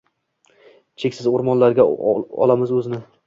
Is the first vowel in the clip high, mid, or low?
mid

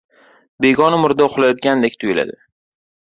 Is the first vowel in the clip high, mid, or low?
mid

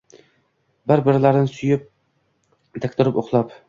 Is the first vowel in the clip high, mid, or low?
high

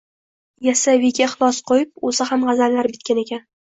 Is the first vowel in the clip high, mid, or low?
low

